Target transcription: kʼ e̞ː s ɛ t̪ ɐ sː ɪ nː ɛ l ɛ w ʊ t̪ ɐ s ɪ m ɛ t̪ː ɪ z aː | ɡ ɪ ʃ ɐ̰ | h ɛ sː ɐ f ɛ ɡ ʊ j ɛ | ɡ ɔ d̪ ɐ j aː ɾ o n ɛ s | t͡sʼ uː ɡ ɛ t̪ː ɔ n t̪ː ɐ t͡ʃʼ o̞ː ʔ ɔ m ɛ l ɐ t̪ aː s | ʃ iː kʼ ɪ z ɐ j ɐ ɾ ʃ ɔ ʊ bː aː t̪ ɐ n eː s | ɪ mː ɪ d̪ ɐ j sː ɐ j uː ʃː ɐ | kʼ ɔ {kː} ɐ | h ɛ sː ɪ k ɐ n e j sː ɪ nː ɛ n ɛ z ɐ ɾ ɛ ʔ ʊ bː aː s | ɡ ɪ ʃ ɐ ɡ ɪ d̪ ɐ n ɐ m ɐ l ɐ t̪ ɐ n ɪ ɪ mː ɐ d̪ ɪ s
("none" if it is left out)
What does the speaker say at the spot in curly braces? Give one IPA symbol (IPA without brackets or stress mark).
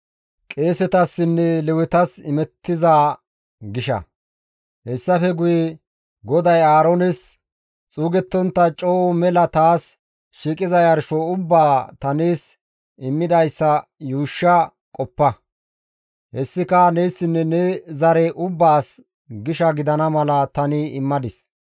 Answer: pː